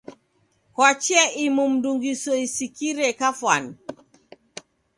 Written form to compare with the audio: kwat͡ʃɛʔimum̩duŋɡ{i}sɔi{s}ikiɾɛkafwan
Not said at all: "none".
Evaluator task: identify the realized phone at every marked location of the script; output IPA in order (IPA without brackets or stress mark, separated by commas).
i, s